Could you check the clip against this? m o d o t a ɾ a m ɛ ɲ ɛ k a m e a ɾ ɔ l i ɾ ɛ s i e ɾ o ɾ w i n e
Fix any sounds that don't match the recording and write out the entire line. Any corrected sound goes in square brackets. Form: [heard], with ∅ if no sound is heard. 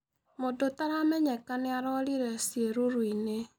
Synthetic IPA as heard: m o d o t a ɾ a m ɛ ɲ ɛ k a [n] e a ɾ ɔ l i ɾ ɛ s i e ɾ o ɾ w i n e

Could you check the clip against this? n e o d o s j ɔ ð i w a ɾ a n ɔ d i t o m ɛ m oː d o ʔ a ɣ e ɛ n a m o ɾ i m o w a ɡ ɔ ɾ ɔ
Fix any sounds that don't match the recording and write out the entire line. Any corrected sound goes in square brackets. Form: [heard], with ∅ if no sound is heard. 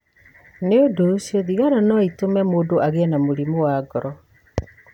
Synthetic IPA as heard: n e o d o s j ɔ ð i [ɣ] a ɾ a n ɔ [∅] i t o m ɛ m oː d o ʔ a ɣ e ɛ n a m o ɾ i m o w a ɡ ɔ ɾ ɔ

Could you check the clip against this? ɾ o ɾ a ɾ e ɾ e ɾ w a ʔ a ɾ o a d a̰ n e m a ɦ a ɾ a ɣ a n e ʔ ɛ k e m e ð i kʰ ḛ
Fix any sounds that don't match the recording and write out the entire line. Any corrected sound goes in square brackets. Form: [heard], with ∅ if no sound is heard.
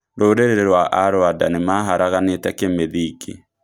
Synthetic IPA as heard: ɾ o ɾ [e] ɾ e ɾ e ɾ w a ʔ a ɾ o a d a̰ n e m a ɦ a ɾ a ɣ a n e [t] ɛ k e m e ð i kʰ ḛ

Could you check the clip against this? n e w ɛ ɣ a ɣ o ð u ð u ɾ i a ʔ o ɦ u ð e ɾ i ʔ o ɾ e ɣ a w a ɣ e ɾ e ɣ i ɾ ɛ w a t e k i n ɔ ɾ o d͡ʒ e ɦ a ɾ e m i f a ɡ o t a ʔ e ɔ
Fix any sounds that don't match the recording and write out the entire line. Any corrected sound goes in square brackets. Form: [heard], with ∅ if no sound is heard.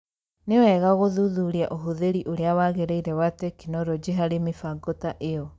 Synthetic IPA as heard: n e w ɛ ɣ a ɣ o ð u ð u ɾ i a ʔ o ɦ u ð e ɾ i ʔ o ɾ e [∅] a w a ɣ e ɾ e [∅] i ɾ ɛ w a t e k i n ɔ ɾ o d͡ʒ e ɦ a ɾ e m i f a ɡ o t a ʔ e ɔ

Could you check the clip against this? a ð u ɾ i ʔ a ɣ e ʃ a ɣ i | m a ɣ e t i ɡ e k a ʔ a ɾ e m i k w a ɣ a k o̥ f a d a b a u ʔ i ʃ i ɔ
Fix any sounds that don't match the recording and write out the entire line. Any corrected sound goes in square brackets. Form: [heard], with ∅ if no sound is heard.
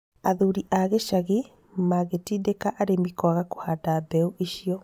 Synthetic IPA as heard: a ð u ɾ i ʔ a ɣ e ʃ a ɣ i | m a ɣ e t i [d] e k a ʔ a ɾ e m i k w a ɣ a k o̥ [h] a d a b [ɛ] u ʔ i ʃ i ɔ

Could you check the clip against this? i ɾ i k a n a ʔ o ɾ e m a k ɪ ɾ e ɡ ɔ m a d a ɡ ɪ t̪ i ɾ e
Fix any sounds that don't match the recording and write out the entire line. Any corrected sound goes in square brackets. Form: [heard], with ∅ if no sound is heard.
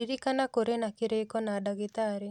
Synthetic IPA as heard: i ɾ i k a n a [k] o ɾ e [n] a k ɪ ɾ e [k] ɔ [n] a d a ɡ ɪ t̪ [a] ɾ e

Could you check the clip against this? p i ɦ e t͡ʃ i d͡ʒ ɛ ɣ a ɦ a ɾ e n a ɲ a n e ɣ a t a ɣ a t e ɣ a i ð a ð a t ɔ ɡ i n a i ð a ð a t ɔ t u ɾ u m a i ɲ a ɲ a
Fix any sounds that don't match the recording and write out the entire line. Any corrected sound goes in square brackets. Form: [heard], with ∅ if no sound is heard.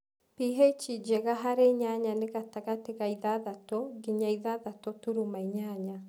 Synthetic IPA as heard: p i ɦ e t͡ʃ i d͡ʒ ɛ ɣ a ɦ a ɾ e [ɲ] a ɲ a n e ɣ a t a ɣ a t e ɣ a i ð a ð a t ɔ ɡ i [ɲ] a i ð a ð a t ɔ t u ɾ u m a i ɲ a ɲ a

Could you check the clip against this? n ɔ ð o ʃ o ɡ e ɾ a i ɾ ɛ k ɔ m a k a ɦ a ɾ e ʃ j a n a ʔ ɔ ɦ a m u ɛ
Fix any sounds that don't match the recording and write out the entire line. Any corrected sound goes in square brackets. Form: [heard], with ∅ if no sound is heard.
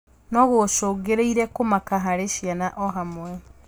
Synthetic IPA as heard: n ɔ [ɣ] o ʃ o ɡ e ɾ [e] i ɾ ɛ k [o] m a k a ɦ a ɾ e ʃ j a n a ʔ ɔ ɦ a m [w] ɛ

